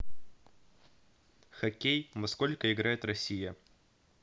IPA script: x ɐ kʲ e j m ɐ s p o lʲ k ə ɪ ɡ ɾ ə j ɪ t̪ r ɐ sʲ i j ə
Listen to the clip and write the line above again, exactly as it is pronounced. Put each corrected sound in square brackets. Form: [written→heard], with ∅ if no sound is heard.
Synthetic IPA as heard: x ɐ kʲ e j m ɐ s [p→k] o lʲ k ə ɪ ɡ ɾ [ə→a] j ɪ t̪ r ɐ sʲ i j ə

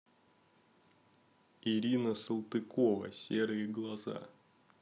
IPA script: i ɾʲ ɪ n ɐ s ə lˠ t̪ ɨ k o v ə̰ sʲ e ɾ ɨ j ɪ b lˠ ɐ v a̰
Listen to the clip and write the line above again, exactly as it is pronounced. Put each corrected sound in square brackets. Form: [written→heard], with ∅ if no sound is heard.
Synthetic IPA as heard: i ɾʲ [ɪ→i] n [ɐ→ə] s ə lˠ t̪ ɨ k o v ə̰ sʲ e ɾ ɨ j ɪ [b→ɡ] lˠ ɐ [v→z] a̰

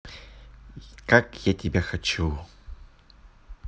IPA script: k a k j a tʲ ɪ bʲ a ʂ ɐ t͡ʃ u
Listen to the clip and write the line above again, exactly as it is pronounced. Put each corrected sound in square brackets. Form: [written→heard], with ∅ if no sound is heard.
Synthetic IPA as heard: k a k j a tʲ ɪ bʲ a [ʂ→x] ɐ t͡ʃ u

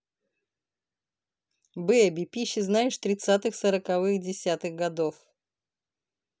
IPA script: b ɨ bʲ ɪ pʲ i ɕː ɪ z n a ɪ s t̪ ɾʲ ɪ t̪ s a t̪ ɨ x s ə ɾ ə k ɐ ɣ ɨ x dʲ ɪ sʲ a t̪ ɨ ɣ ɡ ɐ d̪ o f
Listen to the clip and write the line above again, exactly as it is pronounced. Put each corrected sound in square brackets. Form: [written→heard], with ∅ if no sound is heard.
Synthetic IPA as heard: b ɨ bʲ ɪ pʲ i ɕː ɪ z n a ɪ [s→ʂ] t̪ ɾʲ ɪ t̪ s a t̪ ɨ x s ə ɾ ə k ɐ [ɣ→v] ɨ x dʲ ɪ sʲ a t̪ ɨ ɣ ɡ ɐ d̪ o f

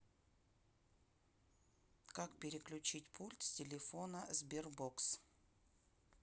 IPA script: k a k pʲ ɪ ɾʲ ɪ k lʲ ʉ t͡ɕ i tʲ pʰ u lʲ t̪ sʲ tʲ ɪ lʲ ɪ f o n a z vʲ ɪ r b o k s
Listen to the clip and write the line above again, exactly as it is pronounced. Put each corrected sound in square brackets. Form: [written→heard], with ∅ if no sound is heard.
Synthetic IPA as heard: k a k pʲ ɪ ɾʲ ɪ k lʲ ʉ t͡ɕ i tʲ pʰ u lʲ t̪ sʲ tʲ ɪ lʲ ɪ f o n [a→ə] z [vʲ→bʲ] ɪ r b o k s

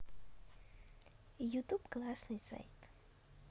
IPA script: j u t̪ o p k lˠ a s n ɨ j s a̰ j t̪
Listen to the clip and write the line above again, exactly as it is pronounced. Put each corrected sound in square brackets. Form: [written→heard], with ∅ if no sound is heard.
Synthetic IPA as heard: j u t̪ [o→u] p k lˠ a s n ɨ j s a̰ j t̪

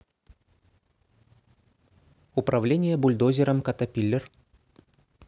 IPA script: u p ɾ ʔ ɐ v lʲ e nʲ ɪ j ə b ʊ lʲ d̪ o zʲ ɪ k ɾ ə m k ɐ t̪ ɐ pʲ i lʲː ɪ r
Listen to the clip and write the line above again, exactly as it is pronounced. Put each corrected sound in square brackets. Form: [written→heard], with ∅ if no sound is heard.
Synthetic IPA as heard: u p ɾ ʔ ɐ v lʲ e nʲ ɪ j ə b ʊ lʲ d̪ o zʲ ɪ [k→∅] ɾ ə m k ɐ t̪ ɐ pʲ i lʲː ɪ r

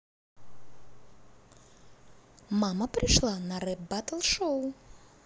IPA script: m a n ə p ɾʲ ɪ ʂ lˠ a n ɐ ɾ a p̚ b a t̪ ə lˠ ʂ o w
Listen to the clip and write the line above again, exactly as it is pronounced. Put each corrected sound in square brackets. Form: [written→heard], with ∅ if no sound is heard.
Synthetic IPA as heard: m a [n→m] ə p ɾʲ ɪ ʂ lˠ a n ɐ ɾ [a→ɛ] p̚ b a t̪ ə lˠ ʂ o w

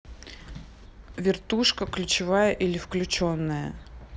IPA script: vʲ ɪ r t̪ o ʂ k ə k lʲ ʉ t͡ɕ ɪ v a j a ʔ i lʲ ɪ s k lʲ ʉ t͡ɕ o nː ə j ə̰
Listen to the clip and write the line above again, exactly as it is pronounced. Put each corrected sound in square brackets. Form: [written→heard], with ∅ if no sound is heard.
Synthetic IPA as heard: vʲ ɪ r t̪ [o→u] ʂ k ə k lʲ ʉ t͡ɕ ɪ v a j [a→ə] ʔ i lʲ ɪ [s→f] k lʲ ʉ t͡ɕ o nː ə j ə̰

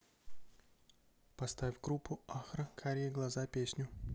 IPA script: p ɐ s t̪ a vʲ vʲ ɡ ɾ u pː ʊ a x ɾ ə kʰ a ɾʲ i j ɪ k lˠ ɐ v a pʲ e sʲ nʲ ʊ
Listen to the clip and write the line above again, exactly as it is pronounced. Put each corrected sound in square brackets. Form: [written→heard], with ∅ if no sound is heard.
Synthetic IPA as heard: p ɐ s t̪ a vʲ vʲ ɡ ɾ u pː ʊ a x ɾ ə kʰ a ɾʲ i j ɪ [k→ɡ] lˠ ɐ [v→z] a pʲ e sʲ nʲ ʊ

